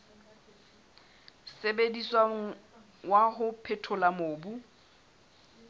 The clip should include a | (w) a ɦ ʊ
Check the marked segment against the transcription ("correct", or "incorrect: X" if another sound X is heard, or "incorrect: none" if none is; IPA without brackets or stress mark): correct